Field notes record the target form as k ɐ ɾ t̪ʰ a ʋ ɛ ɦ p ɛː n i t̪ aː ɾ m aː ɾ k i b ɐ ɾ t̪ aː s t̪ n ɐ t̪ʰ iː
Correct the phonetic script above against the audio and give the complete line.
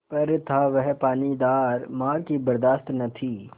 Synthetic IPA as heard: p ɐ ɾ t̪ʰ a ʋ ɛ ɦ p aː n i d̪ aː ɾ m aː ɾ k i b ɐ ɾ d̪ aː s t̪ n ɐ t̪ʰ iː